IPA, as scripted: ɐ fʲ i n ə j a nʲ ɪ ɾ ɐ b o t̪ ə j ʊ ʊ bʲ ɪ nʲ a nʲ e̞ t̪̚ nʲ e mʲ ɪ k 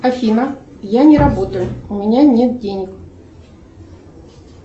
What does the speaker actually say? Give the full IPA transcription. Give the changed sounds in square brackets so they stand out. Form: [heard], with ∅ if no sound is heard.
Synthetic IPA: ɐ fʲ i n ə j a nʲ ɪ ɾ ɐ b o t̪ ə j ʊ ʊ [mʲ] ɪ nʲ a nʲ e̞ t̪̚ [dʲ] e [nʲ] ɪ k